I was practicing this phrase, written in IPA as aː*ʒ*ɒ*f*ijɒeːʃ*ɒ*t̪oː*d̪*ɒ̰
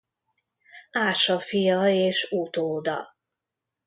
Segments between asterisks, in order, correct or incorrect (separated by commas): incorrect, correct, incorrect, correct